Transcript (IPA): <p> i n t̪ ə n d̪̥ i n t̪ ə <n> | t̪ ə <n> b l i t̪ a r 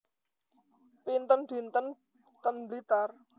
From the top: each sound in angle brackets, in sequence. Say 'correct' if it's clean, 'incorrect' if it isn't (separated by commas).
correct, correct, correct